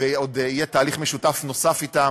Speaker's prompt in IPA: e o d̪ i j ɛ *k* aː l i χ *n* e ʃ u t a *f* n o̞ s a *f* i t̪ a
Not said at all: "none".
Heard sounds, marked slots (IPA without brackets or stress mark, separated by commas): t, m, f, f